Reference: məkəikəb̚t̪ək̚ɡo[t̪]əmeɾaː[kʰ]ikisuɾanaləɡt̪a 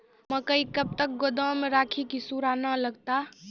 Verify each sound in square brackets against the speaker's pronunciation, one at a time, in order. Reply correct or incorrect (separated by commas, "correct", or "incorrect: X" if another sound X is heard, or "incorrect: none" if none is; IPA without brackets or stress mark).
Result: incorrect: d̪, correct